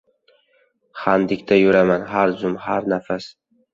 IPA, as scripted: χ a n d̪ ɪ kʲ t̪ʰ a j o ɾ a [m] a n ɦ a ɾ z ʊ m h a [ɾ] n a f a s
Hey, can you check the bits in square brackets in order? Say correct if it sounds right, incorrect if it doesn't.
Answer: correct, correct

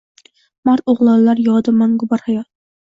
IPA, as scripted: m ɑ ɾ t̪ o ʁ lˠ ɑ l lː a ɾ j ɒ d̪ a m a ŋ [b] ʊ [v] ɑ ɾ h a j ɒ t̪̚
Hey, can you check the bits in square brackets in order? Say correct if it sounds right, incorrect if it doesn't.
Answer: incorrect: ɡ, incorrect: b

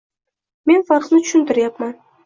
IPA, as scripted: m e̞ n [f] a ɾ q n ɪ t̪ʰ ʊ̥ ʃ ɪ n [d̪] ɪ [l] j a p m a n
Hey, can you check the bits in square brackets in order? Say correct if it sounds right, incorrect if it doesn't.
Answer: correct, incorrect: t̪, incorrect: ɾ

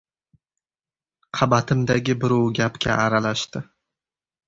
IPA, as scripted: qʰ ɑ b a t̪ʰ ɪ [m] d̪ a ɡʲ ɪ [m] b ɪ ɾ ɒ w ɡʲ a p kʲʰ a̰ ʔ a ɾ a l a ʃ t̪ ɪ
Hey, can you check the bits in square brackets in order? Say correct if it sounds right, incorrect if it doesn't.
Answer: correct, incorrect: none

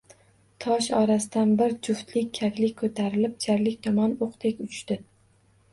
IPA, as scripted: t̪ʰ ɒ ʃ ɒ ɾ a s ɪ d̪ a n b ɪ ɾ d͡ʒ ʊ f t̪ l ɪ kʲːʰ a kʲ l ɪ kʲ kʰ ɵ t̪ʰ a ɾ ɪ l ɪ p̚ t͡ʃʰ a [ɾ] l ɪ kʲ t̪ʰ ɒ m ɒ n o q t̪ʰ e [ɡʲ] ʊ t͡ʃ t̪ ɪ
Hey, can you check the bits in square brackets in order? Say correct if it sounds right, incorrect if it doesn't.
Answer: correct, incorrect: kʲ

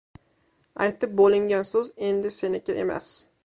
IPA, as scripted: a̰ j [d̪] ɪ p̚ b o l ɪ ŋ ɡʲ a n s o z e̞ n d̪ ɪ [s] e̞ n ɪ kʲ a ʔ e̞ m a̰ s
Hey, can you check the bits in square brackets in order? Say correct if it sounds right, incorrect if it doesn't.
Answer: incorrect: t̪, correct

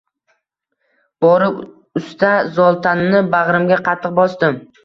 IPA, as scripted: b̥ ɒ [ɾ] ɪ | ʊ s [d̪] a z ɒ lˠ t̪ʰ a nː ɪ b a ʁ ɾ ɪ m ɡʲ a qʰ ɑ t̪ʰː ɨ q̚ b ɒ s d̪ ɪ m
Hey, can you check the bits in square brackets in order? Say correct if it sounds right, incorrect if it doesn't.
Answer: correct, incorrect: t̪

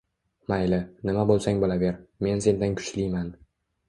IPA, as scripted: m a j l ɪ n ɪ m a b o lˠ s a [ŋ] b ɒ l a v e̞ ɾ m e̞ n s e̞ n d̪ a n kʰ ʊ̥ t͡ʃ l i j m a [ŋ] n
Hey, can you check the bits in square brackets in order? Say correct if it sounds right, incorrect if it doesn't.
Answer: correct, incorrect: none

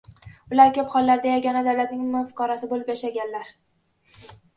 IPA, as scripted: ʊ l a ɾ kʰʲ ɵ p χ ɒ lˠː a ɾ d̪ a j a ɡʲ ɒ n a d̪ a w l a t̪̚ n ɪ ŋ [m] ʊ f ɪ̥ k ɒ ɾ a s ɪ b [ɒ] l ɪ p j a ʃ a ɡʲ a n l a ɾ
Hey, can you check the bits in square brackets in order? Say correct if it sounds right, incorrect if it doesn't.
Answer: correct, incorrect: o

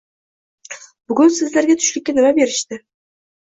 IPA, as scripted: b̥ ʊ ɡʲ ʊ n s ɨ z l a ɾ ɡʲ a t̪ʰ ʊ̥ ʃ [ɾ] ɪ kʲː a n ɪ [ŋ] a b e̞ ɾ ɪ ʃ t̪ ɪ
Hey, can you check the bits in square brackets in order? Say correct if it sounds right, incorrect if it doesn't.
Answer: incorrect: l, incorrect: m

